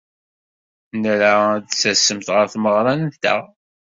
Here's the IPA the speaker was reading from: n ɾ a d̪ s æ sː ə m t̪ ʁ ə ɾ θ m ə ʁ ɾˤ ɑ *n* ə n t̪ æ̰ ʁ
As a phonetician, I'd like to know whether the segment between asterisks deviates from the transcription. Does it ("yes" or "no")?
no